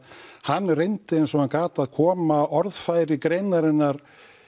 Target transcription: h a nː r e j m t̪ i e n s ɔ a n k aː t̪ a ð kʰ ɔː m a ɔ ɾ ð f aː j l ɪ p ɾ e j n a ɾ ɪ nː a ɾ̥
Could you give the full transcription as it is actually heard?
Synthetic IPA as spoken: h a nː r e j n t̪ ɪ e n s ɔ a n k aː t̪ a ð kʰ ɔː m a ɔ ɾ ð f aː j ɾ ɪ k ɾ e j n a ɾ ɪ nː a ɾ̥